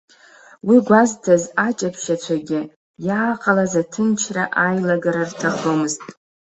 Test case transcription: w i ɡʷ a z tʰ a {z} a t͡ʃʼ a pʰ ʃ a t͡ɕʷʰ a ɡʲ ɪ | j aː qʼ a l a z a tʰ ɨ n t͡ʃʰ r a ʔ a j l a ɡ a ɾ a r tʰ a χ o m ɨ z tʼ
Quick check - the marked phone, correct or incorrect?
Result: correct